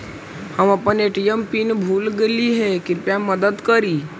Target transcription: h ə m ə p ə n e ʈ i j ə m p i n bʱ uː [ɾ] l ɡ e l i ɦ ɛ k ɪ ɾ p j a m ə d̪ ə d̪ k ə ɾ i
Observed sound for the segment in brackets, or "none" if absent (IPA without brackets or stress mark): none